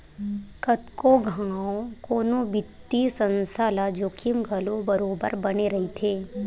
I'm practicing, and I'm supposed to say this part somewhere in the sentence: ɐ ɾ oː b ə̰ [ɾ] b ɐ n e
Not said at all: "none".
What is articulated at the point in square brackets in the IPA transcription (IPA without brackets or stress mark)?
ɾ